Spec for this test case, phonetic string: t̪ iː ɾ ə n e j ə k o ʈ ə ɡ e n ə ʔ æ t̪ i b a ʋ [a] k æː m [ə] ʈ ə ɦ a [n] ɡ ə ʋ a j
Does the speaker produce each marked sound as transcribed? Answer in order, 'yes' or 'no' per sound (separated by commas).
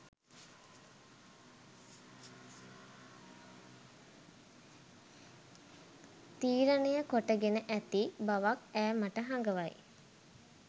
yes, no, no